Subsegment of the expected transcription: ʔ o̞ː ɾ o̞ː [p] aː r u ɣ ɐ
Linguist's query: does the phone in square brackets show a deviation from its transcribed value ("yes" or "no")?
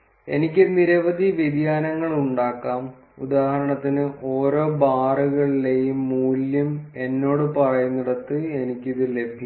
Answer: yes